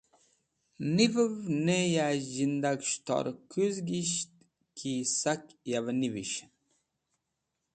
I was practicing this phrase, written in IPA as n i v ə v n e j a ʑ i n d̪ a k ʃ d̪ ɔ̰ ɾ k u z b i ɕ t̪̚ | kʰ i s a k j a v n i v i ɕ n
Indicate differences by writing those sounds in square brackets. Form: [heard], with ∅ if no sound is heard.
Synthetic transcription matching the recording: n i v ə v n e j a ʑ i n d̪ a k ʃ [t̪] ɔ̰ ɾ k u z [ɡ] i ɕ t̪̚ | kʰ i s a k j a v n i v i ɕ n